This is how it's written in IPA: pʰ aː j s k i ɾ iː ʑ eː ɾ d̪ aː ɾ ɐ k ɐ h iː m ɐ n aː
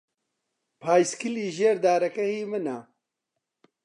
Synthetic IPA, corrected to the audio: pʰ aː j s k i l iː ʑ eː ɾ d̪ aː ɾ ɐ k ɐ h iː m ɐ n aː